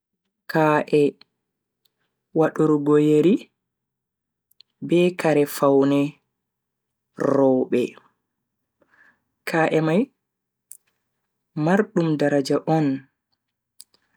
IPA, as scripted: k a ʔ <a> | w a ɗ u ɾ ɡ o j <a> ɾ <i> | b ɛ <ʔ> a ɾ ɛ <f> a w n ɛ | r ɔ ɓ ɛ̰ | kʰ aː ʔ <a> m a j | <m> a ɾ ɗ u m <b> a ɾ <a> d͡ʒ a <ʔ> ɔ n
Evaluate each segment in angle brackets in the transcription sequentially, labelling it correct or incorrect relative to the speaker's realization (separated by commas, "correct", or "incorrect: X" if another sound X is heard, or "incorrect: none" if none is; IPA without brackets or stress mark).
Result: incorrect: ɛ, incorrect: e, correct, incorrect: k, correct, incorrect: ɛ, correct, incorrect: d, correct, correct